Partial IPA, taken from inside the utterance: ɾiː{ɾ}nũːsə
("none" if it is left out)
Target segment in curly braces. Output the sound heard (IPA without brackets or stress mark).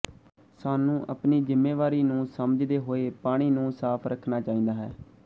none